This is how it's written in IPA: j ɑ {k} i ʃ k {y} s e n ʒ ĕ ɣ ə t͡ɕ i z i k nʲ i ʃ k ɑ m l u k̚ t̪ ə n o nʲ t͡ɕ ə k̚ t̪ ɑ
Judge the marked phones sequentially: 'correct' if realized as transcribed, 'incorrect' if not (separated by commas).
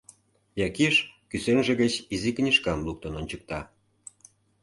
correct, correct